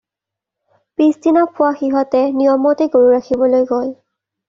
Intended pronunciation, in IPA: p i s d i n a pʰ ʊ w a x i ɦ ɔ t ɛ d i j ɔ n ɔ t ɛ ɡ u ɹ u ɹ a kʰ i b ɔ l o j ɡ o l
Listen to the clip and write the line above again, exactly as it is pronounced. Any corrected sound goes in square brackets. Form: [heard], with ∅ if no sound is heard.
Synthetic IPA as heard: p i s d i n a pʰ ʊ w a x i ɦ ɔ t ɛ [n] i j ɔ [m] ɔ t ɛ ɡ [o] ɹ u ɹ a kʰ i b ɔ l o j ɡ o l